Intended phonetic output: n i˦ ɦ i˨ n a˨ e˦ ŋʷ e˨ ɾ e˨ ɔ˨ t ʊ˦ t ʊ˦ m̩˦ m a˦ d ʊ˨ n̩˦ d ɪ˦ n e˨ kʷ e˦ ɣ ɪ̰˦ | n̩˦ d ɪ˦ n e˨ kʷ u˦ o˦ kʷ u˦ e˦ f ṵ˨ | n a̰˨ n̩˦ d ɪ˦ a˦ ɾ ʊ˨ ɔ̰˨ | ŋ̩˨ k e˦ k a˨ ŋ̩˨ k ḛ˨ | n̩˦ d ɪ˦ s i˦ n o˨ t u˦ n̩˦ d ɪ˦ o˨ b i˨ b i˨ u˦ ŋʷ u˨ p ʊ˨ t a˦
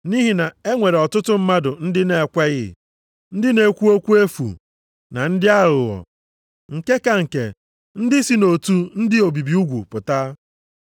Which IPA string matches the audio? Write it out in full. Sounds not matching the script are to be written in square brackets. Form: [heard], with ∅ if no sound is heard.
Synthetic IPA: n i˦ ɦ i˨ n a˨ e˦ ŋʷ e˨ ɾ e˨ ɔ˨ t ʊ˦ t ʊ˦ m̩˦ m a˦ d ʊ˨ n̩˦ d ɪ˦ n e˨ kʷ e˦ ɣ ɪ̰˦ | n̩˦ d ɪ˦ n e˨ kʷ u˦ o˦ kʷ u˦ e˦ f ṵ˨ | n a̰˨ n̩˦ d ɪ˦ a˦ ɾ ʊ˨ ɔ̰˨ | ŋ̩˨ k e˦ k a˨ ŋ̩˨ k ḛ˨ | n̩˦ d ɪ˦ s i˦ n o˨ t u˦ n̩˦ d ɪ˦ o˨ b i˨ b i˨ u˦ [ɡʷ] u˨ p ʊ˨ t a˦